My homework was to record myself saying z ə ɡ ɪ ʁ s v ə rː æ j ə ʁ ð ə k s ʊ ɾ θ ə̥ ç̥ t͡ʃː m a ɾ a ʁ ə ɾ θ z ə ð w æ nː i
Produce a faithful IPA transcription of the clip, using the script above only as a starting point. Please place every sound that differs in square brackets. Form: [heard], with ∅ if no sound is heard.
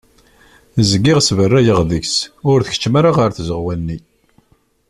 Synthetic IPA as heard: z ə ɡ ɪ ʁ s v ə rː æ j ə ʁ ð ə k s ʊ ɾ θ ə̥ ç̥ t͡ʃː m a ɾ a ʁ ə ɾ θ z ə [ʁ] w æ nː i

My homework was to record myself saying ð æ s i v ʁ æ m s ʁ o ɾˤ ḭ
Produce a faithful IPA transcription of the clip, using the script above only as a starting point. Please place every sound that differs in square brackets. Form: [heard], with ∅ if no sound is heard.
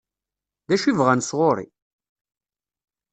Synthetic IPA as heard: ð æ [ʃ] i v ʁ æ [n] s ʁ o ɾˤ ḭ

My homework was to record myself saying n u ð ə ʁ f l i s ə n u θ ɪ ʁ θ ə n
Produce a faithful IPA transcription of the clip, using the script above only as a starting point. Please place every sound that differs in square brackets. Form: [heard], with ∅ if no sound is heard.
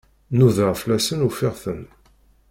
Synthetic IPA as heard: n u ð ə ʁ f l [æ] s ə n u [f] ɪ ʁ θ ə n

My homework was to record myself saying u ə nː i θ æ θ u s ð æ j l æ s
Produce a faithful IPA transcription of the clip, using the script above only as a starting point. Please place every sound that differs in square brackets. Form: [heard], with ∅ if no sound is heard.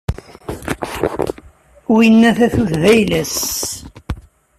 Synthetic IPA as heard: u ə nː [æ] θ æ θ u [θ] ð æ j l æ s

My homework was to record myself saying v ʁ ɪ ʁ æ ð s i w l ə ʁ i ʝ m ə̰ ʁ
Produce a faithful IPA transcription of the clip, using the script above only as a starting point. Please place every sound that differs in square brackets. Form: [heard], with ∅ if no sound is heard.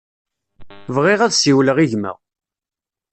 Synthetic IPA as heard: v ʁ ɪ ʁ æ ð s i w l ə ʁ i ʝ m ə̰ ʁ

